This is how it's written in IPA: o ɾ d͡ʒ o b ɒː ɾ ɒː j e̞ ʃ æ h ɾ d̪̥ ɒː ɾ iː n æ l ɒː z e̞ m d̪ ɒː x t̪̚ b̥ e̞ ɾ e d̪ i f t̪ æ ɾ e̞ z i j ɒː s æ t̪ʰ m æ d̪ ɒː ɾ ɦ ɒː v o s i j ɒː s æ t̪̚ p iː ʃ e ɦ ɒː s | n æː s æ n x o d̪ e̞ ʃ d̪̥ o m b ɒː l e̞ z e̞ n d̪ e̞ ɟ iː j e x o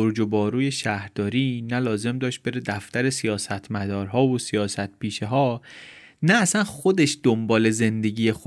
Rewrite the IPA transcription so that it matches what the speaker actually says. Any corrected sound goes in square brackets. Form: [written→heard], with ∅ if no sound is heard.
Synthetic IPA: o ɾ d͡ʒ o b ɒː ɾ [ɒː→uː] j e̞ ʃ æ h ɾ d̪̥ ɒː ɾ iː n æ l ɒː z e̞ m d̪ ɒː [x→ʃ] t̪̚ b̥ e̞ ɾ e d̪ [i→æ] f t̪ æ ɾ e̞ [z→s] i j ɒː s æ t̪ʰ m æ d̪ ɒː ɾ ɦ ɒː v o s i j ɒː s æ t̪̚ p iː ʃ e ɦ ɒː [s→∅] | n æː s æ n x o d̪ e̞ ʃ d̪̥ o m b ɒː l e̞ z e̞ n d̪ e̞ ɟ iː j e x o